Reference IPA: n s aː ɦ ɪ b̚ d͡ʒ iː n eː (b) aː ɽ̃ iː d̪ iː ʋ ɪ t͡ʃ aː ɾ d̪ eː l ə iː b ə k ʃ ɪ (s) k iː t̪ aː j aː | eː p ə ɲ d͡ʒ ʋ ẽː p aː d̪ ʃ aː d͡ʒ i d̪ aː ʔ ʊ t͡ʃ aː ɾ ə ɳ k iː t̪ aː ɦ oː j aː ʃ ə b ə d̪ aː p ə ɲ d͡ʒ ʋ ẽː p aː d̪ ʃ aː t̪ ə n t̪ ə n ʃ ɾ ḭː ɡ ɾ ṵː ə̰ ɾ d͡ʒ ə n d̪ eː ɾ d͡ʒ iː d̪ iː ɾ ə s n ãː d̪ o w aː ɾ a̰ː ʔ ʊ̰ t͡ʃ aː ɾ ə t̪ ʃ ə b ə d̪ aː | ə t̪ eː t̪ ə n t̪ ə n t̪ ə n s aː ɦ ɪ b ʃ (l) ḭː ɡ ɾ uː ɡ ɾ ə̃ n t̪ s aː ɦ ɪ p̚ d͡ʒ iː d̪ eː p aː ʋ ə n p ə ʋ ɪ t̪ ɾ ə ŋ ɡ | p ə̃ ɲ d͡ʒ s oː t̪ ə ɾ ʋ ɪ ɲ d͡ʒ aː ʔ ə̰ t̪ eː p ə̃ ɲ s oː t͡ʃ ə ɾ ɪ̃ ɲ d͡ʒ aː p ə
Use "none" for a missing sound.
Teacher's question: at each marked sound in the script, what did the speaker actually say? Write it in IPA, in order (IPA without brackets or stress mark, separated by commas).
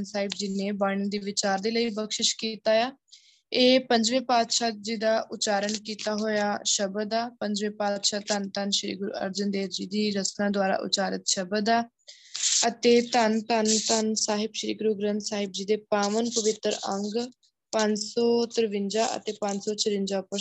b, ʃ, ɾ